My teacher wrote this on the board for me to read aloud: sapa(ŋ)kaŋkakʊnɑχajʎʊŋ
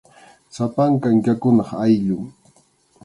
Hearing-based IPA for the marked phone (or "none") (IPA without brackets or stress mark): ŋ